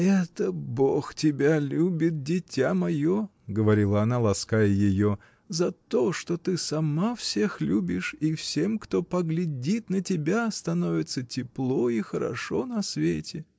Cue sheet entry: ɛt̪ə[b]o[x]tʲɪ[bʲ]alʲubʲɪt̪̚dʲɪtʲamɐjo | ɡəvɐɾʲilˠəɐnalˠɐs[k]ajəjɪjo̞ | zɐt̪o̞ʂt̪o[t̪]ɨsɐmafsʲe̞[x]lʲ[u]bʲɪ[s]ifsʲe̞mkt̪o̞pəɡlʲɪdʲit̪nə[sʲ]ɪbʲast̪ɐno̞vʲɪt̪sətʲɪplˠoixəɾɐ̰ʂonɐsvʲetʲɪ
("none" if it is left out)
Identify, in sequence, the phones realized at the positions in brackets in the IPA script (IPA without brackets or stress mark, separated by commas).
b, x, bʲ, k, t̪, x, u, ʂ, tʲ